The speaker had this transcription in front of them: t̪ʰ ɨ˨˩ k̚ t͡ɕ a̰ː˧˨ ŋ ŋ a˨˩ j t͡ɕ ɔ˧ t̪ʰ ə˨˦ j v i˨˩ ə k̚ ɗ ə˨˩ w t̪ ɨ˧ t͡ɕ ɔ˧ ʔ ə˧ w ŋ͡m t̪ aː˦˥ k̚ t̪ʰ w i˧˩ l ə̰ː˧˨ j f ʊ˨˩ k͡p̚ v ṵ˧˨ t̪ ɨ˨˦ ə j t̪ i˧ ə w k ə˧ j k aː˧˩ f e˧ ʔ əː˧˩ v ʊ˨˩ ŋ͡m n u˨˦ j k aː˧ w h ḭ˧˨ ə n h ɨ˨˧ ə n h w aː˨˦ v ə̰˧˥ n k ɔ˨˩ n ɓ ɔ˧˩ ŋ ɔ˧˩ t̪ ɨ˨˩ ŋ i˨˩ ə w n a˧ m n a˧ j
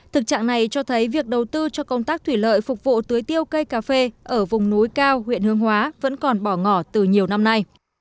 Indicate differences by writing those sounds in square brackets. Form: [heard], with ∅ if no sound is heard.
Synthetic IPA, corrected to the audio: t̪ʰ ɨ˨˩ k̚ t͡ɕ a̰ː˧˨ ŋ [n] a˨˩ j t͡ɕ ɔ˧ t̪ʰ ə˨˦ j v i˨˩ ə k̚ ɗ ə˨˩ w t̪ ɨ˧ t͡ɕ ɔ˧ [k] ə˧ w ŋ͡m t̪ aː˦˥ k̚ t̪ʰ w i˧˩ l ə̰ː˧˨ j f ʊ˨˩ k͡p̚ v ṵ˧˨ t̪ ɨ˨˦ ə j t̪ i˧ ə w k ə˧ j k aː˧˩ f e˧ ʔ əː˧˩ v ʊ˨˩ ŋ͡m n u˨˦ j k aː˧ w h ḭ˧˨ ə n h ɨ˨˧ ə [ŋ] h w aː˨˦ v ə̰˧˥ n k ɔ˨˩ n ɓ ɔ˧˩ ŋ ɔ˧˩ t̪ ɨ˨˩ [ɲ] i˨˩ ə w n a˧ m n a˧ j